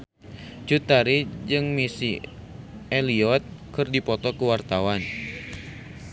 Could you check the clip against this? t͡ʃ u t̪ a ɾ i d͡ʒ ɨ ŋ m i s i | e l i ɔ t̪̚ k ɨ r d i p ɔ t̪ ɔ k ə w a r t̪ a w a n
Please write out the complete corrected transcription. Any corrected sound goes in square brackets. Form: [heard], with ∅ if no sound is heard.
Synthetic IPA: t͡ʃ u t̪ a ɾ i d͡ʒ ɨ ŋ m i s i | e l i ɔ t̪̚ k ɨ r d i p ɔ t̪ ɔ k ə w a r t̪ a w a n